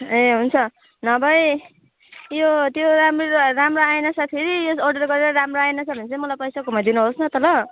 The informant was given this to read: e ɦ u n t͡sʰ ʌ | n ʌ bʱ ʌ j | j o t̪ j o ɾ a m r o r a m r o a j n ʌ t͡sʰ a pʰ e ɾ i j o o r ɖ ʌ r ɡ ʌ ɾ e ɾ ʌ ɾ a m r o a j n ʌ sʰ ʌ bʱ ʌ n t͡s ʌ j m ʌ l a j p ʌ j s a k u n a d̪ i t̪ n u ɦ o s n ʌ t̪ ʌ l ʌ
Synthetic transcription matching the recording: e ɦ u n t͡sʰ ʌ | n ʌ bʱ ʌ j | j o t̪ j o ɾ a m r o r a m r o a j n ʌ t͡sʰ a pʰ e ɾ i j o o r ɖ ʌ r ɡ ʌ ɾ e ɾ ʌ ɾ a m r o a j n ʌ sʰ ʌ bʱ ʌ n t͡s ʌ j m ʌ l a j p ʌ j s a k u m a d̪ i n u ɦ o s n ʌ t̪ ʌ l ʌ